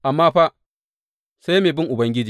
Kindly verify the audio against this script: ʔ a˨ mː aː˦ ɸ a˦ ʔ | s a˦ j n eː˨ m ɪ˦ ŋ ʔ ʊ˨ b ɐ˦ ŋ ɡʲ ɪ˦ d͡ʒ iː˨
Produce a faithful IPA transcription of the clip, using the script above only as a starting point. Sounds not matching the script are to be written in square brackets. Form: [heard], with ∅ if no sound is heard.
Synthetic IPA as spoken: ʔ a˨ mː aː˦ ɸ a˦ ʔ | s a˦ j [m] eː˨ [b] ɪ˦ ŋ ʔ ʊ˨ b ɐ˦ ŋ ɡʲ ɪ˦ d͡ʒ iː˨

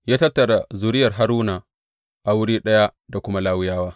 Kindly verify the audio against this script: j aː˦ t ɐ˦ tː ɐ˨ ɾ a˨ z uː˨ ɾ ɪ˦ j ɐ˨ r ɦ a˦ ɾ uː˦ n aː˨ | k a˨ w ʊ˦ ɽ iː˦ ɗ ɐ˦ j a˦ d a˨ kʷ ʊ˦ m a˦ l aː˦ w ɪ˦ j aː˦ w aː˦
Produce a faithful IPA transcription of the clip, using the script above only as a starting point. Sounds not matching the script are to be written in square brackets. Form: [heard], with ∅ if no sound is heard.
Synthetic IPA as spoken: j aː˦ t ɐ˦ tː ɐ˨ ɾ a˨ z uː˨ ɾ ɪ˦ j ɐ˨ r ɦ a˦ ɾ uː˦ n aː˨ | [ʔ] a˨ w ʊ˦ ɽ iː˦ ɗ ɐ˦ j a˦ d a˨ kʷ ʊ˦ m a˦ l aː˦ w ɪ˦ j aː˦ w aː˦

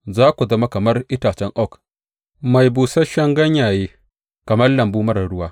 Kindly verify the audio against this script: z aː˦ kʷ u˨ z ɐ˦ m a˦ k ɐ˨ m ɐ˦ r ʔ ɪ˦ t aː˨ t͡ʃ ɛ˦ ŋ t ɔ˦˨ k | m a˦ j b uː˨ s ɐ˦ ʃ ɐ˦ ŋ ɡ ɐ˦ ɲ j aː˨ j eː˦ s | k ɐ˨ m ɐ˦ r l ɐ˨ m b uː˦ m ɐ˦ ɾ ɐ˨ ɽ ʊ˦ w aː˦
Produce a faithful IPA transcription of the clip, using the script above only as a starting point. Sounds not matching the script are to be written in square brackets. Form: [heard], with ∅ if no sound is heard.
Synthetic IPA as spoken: z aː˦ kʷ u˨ z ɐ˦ m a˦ k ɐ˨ m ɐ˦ r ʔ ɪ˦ t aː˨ t͡ʃ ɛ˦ ŋ [ʔ] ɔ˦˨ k | m [a˨] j b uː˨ s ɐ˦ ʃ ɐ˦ ŋ ɡ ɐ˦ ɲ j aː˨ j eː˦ [∅] | k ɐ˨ m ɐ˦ r l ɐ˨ m b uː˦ m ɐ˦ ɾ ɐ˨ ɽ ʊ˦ w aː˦

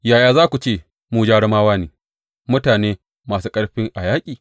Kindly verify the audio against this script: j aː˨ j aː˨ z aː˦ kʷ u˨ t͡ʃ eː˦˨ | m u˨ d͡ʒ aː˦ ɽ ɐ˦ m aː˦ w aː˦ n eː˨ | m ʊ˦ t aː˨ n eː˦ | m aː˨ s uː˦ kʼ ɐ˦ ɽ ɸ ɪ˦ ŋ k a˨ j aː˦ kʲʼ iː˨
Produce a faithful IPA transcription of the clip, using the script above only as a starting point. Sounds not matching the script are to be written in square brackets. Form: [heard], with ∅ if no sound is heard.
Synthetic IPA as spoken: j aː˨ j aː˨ z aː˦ kʷ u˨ t͡ʃ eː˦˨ | m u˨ d͡ʒ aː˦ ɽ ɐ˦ m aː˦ w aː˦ n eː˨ | m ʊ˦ t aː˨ n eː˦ | m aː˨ s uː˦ kʼ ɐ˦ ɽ ɸ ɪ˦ ŋ [ʔ] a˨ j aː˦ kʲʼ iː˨

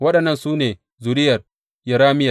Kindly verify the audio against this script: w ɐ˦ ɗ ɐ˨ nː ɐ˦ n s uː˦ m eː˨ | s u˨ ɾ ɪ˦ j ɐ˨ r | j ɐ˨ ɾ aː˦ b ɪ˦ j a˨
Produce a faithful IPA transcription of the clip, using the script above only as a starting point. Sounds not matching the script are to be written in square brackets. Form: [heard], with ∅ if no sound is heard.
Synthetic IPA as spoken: w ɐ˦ ɗ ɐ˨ nː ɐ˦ n s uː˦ [n] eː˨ | [z] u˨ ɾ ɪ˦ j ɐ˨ r | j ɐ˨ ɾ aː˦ [m] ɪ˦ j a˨

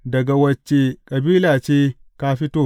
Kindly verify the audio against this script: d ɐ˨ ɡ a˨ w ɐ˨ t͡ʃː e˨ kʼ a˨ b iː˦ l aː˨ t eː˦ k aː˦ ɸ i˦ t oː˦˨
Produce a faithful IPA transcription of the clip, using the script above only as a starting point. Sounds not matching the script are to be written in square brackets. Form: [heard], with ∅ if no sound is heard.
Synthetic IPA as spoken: d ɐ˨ ɡ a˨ w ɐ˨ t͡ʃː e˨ kʼ [ɐ˨] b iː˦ l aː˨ [t͡ʃ] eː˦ k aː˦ ɸ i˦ t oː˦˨

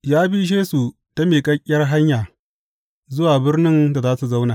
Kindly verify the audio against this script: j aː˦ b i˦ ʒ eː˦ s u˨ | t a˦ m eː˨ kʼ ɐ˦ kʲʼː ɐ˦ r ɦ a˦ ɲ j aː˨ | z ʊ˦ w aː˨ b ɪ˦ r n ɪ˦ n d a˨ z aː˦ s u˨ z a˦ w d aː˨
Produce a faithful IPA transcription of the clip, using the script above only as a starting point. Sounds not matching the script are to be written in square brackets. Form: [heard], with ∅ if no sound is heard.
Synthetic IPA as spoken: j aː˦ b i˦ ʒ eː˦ s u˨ | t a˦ m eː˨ kʼ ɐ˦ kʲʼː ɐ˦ r ɦ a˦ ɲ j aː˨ | z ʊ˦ w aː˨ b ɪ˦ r n ɪ˦ n d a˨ z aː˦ s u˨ z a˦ w [n] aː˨

